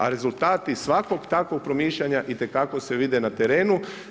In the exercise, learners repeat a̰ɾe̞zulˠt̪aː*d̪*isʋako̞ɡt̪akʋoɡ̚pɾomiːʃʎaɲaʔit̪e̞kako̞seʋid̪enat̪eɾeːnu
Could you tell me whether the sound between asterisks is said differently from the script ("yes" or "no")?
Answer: yes